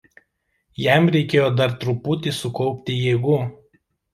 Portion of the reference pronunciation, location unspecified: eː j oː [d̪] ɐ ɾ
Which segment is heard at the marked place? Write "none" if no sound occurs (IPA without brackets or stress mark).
d̪